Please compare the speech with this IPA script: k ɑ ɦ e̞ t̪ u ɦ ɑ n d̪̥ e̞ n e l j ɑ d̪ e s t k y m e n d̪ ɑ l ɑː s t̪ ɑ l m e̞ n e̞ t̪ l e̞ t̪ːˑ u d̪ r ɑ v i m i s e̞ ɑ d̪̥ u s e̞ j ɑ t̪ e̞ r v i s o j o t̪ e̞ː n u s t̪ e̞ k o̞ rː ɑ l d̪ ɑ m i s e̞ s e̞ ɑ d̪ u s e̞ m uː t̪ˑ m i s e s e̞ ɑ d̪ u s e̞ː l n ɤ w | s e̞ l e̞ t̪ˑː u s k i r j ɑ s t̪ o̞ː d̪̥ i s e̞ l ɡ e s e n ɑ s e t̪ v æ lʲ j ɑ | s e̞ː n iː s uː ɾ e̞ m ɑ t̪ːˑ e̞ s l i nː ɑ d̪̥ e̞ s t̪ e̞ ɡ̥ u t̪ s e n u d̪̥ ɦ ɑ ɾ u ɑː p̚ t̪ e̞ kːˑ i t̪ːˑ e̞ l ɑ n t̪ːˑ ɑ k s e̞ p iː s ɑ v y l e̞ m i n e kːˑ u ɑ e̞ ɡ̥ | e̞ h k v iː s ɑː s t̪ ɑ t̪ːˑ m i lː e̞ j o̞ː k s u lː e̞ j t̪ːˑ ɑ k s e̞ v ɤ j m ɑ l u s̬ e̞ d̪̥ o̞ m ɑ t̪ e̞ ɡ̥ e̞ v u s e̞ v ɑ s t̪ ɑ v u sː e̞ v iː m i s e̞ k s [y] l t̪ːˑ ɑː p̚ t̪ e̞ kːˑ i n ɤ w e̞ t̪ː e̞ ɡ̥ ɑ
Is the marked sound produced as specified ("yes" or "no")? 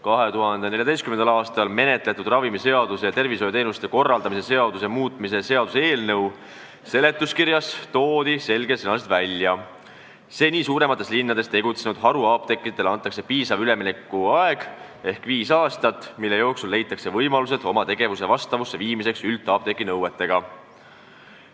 yes